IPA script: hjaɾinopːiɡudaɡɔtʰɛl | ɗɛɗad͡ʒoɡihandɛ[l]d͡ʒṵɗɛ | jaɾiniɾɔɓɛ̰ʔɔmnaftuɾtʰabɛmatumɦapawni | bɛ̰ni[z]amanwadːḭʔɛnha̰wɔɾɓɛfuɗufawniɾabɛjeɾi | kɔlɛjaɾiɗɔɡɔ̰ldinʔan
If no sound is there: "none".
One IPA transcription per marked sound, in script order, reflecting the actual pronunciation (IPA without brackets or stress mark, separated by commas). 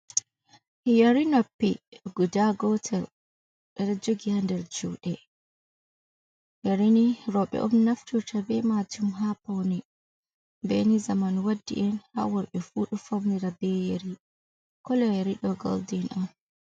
ɾ, z